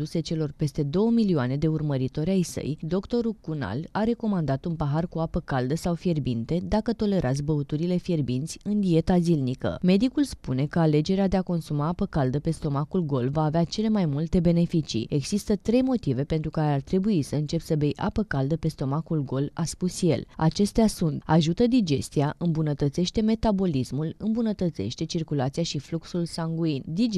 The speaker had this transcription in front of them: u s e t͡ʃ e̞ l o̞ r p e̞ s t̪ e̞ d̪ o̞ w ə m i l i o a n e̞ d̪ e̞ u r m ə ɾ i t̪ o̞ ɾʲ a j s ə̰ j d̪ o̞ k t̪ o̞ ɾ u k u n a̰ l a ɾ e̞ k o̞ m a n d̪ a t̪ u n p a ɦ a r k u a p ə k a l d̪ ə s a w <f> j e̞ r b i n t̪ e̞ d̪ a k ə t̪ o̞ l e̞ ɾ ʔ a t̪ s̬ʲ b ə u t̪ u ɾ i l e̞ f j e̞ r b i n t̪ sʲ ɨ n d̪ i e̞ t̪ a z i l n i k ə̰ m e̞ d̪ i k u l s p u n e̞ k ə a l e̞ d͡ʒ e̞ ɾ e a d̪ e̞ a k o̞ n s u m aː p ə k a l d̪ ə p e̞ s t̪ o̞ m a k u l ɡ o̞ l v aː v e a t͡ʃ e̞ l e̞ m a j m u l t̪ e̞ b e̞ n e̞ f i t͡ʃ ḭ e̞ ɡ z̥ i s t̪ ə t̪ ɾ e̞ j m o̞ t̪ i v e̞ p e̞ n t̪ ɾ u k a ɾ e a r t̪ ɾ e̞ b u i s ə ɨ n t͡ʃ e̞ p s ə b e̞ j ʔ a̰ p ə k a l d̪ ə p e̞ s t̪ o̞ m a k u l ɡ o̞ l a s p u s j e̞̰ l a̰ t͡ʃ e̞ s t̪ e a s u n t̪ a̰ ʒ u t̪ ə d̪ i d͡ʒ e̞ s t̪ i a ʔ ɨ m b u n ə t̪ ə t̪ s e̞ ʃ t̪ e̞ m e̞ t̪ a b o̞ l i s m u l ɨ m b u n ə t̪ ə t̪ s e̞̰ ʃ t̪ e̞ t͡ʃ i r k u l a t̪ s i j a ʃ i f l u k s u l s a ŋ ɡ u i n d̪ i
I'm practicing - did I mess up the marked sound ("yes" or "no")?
no